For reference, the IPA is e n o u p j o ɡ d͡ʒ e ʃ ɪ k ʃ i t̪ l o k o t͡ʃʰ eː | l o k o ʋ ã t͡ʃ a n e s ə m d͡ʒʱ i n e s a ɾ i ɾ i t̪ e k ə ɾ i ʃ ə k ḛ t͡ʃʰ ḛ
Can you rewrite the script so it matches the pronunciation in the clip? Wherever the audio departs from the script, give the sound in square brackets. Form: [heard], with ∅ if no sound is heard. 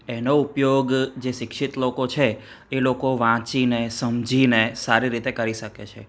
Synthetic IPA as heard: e n o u p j o ɡ d͡ʒ e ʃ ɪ k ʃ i t̪ l o k o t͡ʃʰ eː | l o k o ʋ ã t͡ʃ [i] n e s ə m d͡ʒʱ i n e s a ɾ i ɾ i t̪ e k ə ɾ i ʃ ə k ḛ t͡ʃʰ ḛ